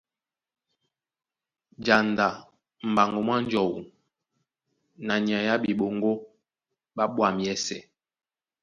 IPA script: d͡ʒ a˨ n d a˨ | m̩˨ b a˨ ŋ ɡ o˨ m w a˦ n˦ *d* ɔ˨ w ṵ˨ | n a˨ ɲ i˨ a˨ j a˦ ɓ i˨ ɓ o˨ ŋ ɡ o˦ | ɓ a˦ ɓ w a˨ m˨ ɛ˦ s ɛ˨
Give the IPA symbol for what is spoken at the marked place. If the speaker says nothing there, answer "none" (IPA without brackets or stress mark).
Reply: d͡ʒ